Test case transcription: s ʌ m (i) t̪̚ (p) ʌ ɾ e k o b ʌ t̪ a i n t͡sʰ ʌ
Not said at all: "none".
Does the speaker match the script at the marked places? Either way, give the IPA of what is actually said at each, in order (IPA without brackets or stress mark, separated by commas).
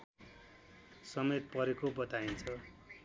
e, p